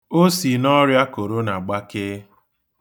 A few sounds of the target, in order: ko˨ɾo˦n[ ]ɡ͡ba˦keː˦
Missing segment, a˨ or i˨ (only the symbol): a˨